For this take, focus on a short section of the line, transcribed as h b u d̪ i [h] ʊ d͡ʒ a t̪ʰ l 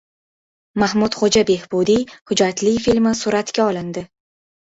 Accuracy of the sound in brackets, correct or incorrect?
correct